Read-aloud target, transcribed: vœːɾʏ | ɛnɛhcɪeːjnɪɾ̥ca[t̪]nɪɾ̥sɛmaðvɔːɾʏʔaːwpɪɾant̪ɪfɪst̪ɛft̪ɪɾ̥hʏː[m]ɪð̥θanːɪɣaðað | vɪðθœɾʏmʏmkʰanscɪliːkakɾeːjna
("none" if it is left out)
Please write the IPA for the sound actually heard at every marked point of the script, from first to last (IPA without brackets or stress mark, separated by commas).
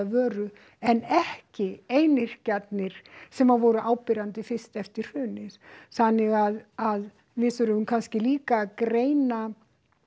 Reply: t̪, n